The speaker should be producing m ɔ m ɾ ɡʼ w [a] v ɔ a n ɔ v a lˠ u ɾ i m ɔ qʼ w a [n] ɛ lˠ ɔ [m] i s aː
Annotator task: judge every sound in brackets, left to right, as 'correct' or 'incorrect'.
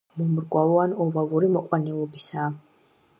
correct, correct, incorrect: b

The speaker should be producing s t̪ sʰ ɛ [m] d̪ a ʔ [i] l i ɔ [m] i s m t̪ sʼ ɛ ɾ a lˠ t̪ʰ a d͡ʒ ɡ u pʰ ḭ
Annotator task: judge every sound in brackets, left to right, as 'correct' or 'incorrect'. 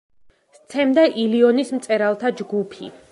correct, correct, incorrect: n

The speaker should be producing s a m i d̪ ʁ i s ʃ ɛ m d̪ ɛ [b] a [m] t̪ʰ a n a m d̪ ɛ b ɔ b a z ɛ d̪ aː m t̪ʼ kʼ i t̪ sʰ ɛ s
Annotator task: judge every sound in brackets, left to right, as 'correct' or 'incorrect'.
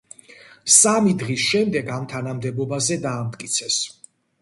incorrect: ɡ, correct

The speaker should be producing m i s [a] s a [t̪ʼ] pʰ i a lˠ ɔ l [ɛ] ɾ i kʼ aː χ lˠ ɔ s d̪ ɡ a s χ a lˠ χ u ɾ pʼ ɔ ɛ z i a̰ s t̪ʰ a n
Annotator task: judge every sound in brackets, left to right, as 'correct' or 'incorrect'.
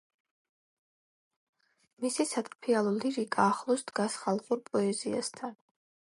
incorrect: i, correct, incorrect: i

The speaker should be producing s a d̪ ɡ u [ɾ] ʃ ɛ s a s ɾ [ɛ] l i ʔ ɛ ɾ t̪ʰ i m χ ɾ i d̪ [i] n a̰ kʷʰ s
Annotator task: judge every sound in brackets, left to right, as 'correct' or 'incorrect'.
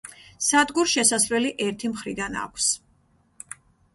correct, correct, incorrect: a

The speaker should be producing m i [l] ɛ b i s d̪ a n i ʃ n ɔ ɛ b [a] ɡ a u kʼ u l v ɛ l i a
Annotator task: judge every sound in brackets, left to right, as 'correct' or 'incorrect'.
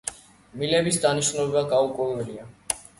correct, correct

